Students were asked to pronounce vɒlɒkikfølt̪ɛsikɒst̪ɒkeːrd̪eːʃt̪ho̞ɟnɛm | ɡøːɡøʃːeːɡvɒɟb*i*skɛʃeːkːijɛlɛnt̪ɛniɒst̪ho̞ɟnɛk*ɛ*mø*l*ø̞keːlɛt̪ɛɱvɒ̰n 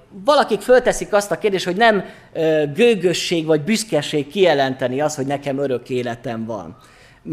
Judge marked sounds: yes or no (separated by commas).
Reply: no, yes, no